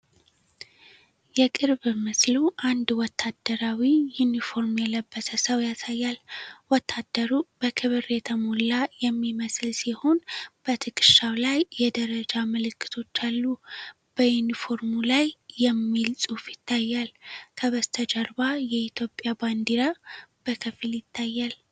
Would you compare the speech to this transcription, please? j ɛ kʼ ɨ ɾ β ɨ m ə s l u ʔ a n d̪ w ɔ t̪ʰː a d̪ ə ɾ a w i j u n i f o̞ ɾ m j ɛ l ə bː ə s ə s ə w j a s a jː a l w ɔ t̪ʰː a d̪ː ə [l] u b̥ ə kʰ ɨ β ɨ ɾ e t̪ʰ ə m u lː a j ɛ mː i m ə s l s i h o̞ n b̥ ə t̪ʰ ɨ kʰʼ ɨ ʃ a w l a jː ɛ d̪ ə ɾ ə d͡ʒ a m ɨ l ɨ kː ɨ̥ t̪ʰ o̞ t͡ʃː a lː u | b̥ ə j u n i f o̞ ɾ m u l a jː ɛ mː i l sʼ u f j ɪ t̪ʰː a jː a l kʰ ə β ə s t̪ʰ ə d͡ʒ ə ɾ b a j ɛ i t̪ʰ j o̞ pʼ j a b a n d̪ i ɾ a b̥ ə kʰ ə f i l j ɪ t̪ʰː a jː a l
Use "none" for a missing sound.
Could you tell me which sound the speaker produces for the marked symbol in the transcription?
ɾ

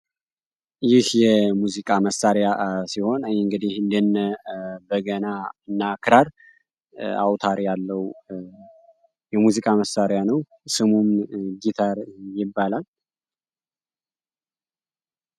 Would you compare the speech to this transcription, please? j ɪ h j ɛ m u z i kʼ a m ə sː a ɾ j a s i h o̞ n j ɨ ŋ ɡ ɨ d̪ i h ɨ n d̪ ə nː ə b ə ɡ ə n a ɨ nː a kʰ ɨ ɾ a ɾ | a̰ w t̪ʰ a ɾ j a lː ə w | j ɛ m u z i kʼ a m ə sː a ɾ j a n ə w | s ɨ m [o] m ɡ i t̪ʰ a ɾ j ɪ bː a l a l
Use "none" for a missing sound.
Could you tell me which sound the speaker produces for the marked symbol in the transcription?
u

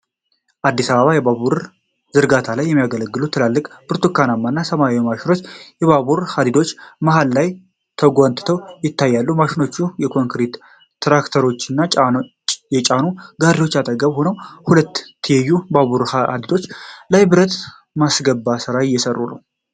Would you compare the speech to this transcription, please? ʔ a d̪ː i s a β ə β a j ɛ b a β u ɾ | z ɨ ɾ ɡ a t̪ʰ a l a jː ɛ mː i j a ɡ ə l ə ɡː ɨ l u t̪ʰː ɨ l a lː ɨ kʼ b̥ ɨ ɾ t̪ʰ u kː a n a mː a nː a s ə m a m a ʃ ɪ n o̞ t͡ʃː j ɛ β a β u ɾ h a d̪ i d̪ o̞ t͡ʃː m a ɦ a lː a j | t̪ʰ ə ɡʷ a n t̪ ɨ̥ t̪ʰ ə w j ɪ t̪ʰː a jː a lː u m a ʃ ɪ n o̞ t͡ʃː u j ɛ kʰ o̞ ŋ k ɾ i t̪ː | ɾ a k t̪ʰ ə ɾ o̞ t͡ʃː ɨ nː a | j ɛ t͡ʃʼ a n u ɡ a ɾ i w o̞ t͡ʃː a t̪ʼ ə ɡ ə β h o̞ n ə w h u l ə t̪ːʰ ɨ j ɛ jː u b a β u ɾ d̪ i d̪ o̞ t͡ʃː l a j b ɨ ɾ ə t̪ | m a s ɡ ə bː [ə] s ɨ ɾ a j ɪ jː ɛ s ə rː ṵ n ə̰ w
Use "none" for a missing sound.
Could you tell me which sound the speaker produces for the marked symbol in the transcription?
a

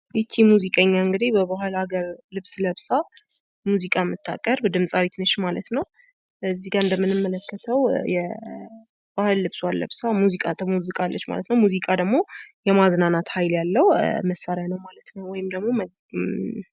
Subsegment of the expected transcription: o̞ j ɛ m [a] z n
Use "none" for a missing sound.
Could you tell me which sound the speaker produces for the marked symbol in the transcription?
a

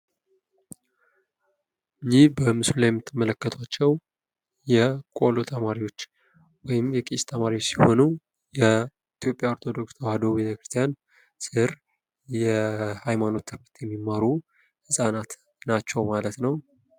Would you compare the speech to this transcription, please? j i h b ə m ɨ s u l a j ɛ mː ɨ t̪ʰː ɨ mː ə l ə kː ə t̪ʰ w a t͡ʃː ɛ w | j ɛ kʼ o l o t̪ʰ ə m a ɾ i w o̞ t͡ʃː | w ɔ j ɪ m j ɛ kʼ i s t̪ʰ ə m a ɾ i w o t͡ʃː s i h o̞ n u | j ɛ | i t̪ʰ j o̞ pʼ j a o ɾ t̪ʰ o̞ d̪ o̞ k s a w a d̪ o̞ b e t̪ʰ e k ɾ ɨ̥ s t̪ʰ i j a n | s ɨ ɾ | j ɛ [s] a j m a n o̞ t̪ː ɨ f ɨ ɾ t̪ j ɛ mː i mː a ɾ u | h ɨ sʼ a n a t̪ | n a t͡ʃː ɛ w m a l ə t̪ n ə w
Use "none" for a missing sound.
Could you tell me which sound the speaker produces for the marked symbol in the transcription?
h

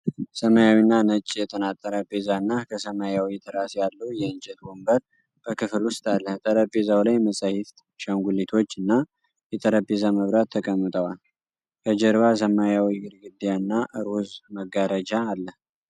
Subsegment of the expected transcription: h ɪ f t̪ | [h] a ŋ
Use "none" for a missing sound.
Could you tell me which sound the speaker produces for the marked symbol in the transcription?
ʃ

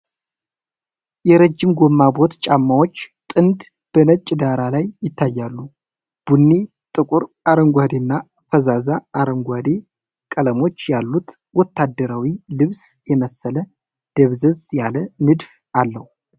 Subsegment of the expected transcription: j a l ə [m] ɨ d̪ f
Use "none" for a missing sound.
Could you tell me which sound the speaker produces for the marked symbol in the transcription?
n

